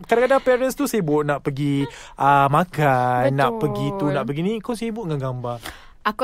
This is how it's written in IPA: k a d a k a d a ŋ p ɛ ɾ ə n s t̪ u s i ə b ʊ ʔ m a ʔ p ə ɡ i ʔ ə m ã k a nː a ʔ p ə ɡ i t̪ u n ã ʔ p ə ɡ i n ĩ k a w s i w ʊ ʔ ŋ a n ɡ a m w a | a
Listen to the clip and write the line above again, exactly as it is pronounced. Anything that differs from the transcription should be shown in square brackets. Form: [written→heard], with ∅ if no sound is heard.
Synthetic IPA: k a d a k a d a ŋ p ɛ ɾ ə n s t̪ u s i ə b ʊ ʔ [m→n] a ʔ p ə ɡ i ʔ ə m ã k a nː a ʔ p ə ɡ i t̪ u n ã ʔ p ə ɡ i n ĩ k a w s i [w→b] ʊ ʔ ŋ a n ɡ a m [w→b] a | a